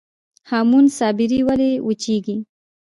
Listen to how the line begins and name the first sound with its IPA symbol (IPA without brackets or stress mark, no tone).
h